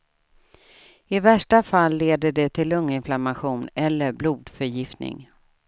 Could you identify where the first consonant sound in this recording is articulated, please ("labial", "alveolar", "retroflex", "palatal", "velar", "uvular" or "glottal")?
labial